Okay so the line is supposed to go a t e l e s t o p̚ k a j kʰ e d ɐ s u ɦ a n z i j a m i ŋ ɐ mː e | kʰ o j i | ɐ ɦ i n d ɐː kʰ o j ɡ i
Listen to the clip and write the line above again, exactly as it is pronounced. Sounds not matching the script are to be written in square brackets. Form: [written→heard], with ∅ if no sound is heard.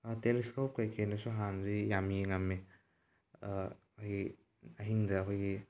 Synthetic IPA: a t e l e s [t→k] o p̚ k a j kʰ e [d→n] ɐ s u ɦ a n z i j a m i ŋ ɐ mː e | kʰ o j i | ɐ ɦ i [n→ŋ] d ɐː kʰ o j ɡ i